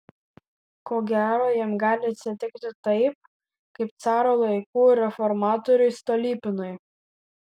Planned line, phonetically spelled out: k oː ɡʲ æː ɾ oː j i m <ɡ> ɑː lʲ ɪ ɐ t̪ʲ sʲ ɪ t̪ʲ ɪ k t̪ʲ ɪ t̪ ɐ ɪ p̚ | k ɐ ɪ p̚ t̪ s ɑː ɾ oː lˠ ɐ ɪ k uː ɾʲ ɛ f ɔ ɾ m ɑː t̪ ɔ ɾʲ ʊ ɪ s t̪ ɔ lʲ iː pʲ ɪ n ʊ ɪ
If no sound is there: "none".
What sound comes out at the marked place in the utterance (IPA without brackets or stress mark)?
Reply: ɡ